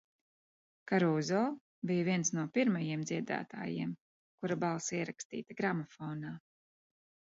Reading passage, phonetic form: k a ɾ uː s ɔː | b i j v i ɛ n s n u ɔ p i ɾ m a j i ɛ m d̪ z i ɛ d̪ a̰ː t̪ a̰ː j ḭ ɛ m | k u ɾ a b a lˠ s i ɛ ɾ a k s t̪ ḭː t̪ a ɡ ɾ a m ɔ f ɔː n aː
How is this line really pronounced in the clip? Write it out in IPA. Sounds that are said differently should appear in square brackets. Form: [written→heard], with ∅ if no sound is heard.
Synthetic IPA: k a ɾ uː [s→z] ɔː | b i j v i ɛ n s n u ɔ p i ɾ m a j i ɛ m d̪ z i ɛ d̪ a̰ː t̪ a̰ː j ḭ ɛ m | k u ɾ a b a lˠ s i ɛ ɾ a k s t̪ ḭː t̪ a ɡ ɾ a m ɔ f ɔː n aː

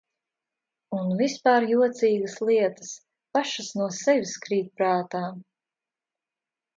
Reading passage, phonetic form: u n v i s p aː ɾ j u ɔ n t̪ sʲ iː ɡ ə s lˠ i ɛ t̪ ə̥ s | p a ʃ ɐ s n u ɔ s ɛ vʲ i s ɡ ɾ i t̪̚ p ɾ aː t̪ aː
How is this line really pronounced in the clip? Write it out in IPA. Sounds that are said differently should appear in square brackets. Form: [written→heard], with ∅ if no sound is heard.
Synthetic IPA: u n v i s p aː ɾ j u ɔ [n→∅] t̪ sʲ iː ɡ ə s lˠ i ɛ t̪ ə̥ s | p a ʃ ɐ s n u ɔ s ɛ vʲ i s [ɡ→k] ɾ [i→iː] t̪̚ p ɾ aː t̪ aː

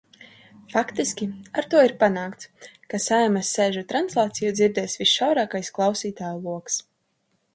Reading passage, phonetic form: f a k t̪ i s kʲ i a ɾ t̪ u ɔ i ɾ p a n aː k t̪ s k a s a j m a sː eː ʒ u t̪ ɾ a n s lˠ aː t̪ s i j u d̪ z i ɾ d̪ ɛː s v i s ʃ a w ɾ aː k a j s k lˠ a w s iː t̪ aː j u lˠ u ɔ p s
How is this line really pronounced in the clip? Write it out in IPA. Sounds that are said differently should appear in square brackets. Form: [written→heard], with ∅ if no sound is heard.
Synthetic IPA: f a k t̪ i s kʲ i a ɾ t̪ u ɔ i ɾ p a n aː k t̪ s k a s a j m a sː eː ʒ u t̪ ɾ a n s lˠ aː t̪ s i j u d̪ z i ɾ d̪ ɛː s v i s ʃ a w ɾ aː k a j s k lˠ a w s iː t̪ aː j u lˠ u ɔ [p→k] s

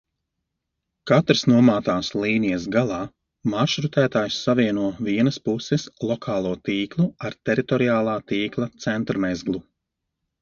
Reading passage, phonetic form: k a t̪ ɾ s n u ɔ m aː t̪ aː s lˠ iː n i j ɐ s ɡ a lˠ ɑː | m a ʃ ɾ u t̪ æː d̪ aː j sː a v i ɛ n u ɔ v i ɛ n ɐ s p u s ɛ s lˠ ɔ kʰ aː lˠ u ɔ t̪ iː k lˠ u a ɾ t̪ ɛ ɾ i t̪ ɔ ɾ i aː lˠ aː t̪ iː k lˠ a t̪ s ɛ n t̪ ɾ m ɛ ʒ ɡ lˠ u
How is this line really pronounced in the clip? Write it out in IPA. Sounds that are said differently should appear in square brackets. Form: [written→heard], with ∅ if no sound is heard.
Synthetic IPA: k a t̪ ɾ s n u ɔ m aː t̪ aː s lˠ iː n i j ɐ s ɡ a lˠ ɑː | m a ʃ ɾ u t̪ æː [d̪→t̪] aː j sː a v i ɛ n u ɔ v i ɛ n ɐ s p u s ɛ s lˠ ɔ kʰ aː lˠ u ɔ t̪ iː k lˠ u a ɾ t̪ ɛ ɾ i t̪ ɔ ɾ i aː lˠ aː t̪ iː k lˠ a t̪ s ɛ n t̪ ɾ m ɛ [ʒ→z] ɡ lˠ u

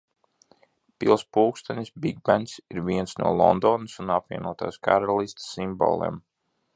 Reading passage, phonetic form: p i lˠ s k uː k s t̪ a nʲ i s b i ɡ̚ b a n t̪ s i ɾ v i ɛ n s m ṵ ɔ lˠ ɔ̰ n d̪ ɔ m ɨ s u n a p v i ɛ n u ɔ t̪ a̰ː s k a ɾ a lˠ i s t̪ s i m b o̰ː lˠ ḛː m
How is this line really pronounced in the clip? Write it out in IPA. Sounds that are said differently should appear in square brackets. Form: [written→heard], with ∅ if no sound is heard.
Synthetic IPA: p i lˠ s [k→p] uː k s t̪ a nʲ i s b i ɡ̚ b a n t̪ s i ɾ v i ɛ n s [m→n] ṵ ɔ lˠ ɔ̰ n d̪ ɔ [m→n] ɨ s u n a p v i ɛ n u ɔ t̪ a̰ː s k a ɾ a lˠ i s t̪ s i m b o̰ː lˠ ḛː m

